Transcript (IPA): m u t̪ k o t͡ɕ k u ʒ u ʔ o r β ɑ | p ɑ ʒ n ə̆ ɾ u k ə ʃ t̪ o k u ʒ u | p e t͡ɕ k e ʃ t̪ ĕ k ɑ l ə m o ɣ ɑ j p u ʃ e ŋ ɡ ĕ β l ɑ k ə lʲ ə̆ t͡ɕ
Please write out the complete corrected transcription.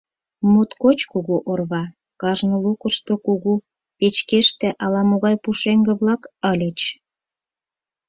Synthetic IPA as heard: m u t̪ k o t͡ɕ k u ɣ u ʔ o r β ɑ | k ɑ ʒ n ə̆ l u k ə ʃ t̪ o k u ɣ u | p e t͡ɕ k e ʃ t̪ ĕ ʔ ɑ l ɑ m o ɣ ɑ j p u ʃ e ŋ ɡ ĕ β l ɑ k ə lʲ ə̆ t͡ɕ